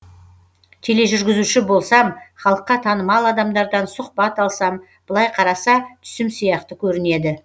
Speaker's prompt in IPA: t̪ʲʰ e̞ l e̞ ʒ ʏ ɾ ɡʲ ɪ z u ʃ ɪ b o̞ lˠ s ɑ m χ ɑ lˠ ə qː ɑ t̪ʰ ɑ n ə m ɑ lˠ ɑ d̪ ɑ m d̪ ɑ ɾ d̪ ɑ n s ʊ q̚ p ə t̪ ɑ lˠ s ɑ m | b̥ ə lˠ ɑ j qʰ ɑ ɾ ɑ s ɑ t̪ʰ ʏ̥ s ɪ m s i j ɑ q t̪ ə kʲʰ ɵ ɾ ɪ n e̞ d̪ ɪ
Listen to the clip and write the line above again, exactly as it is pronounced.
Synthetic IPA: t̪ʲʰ e̞ l e̞ ʒ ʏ ɾ ɡʲ ɪ z u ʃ ɪ b o̞ lˠ s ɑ m χ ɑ lˠ ə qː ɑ t̪ʰ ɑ n ə m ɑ lˠ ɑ d̪ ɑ m d̪ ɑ ɾ d̪ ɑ n s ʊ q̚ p ɑ t̪ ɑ lˠ s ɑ m | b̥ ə lˠ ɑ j qʰ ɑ ɾ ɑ s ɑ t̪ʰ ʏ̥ s ɪ m s i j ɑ q t̪ ə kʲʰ ɵ ɾ ɪ n e̞ d̪ ɪ